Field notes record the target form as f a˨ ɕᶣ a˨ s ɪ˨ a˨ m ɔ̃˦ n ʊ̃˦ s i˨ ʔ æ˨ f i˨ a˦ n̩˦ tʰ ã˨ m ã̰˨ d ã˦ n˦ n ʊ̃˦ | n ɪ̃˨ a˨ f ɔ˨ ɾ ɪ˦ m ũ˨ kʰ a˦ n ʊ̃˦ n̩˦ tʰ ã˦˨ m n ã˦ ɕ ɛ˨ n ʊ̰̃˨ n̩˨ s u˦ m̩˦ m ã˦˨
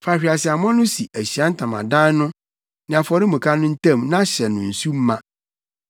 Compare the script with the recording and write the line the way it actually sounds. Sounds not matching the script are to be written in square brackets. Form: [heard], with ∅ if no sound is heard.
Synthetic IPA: f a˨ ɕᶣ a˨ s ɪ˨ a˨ m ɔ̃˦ n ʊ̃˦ s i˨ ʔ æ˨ [ɕ] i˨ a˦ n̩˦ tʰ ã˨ m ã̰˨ d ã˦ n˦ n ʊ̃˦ | n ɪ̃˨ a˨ f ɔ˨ ɾ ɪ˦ m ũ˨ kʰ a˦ n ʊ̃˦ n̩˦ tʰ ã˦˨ m n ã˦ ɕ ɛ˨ n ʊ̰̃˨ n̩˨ s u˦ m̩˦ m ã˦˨